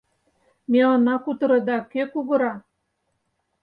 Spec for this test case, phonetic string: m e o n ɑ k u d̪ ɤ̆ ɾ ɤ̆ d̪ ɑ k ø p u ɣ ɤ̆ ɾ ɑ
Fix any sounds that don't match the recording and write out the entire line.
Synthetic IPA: m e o n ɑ k u t̪ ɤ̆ ɾ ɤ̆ d̪ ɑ k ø k u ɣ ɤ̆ ɾ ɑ